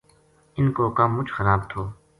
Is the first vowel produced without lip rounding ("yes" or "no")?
yes